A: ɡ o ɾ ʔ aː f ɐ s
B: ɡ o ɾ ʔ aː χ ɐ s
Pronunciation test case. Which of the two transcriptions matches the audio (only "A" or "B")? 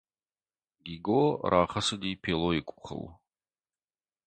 B